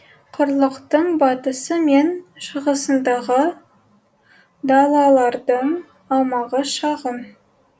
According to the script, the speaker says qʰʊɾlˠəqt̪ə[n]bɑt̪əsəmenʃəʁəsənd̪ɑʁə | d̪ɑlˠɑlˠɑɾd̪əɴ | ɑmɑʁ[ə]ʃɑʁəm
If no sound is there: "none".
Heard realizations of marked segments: ɴ, ə

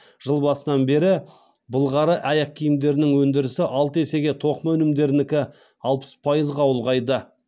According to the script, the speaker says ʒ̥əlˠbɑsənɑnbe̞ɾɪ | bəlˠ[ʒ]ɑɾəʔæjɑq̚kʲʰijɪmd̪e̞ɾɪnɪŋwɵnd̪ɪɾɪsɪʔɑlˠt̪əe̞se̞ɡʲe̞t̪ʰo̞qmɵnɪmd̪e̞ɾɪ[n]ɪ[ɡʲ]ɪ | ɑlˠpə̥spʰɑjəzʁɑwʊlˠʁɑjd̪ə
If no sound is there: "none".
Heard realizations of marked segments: ʁ, n, kʲ

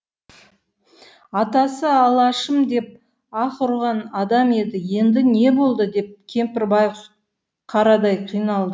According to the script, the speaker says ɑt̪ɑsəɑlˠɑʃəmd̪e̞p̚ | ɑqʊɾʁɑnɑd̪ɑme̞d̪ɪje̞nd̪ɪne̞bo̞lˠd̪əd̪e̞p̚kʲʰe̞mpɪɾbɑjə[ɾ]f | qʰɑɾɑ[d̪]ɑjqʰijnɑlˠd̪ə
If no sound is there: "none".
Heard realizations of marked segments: none, d̪

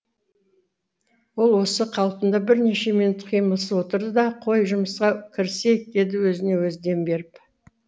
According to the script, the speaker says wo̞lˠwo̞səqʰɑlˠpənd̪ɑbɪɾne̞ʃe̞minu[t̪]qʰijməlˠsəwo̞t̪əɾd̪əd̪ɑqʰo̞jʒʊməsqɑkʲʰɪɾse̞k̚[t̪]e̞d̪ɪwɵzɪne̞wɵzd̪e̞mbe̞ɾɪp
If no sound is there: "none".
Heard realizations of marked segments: t̪, d̪

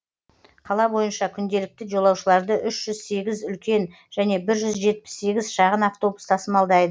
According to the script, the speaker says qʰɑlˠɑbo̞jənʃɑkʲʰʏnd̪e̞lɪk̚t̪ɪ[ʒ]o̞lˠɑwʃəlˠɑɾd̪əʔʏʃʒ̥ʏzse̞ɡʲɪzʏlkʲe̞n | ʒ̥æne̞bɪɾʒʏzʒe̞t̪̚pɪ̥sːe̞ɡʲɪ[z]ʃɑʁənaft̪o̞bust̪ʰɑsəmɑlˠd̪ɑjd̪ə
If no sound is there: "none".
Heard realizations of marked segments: ʒ, z

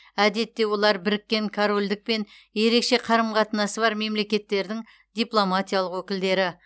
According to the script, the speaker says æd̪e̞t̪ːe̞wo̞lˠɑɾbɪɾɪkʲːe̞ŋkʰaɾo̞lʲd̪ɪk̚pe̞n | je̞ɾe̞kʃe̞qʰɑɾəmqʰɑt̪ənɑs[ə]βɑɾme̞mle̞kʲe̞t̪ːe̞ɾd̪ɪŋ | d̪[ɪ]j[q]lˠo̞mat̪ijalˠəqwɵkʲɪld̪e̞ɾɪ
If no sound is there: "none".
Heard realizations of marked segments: ə, i, p

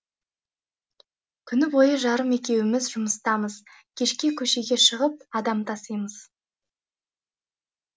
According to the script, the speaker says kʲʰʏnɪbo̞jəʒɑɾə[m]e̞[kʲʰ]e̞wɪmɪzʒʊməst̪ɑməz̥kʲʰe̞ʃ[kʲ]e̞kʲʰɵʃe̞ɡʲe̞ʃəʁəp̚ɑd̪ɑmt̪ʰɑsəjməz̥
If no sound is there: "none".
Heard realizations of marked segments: m, kʲ, kʲ

